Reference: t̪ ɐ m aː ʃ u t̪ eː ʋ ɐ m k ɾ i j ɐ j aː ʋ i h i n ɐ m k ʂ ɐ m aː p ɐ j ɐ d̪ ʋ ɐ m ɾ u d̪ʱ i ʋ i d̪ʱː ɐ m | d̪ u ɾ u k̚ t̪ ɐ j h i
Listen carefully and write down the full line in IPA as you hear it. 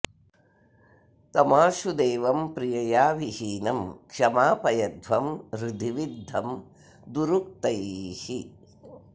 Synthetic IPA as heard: t̪ ɐ m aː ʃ u d̪ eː ʋ ɐ m p ɾ i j ɐ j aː ʋ i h iː n ɐ m k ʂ ɐ m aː p ɐ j ɐ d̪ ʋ ɐ m ɾ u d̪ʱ i ʋ i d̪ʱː ɐ m | d̪ u ɾ u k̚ t̪ ɐ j h i